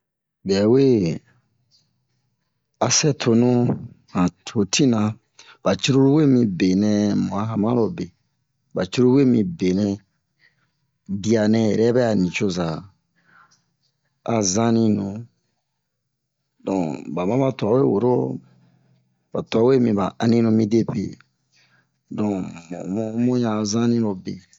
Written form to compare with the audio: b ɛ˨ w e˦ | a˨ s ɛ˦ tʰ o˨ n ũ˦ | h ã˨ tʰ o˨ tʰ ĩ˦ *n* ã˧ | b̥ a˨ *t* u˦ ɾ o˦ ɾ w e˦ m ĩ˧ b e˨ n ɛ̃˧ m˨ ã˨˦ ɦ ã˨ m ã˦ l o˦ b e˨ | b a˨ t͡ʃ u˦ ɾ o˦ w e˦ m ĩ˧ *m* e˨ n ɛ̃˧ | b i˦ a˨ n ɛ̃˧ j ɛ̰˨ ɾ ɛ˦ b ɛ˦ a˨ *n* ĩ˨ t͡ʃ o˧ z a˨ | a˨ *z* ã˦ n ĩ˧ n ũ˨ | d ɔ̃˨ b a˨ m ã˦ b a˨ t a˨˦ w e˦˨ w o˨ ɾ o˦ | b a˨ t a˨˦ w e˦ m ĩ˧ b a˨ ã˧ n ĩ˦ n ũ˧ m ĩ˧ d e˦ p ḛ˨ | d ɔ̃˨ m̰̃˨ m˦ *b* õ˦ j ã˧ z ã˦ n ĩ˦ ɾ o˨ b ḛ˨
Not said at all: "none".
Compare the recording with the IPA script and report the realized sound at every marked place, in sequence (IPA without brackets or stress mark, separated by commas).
n, t͡ʃ, b, n, z, m